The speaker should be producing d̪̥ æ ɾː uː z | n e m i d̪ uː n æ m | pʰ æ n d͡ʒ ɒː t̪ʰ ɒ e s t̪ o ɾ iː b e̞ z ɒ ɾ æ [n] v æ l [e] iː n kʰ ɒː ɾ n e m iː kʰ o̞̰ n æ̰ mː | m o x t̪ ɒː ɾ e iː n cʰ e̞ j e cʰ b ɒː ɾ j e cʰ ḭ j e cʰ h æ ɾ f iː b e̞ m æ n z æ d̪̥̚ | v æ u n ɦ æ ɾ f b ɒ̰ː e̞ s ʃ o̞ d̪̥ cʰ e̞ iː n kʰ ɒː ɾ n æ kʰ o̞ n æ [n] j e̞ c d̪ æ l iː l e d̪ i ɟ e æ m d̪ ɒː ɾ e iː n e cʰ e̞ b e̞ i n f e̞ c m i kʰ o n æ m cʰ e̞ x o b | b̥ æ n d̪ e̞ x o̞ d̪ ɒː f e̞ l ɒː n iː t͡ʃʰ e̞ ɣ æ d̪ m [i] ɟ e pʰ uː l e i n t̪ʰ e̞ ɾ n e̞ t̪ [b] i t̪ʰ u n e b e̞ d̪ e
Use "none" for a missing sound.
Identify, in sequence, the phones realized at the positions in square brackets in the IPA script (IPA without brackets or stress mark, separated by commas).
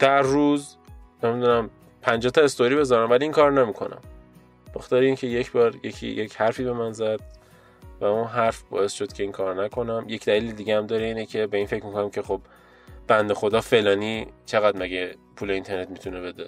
m, i, m, æ, m